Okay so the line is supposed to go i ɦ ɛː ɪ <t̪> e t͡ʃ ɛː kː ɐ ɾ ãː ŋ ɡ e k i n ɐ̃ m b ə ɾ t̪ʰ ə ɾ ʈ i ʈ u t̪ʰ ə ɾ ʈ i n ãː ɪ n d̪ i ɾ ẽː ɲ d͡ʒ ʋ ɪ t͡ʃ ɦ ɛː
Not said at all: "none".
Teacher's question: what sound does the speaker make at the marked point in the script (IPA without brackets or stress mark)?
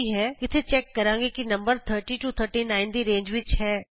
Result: t̪ʰ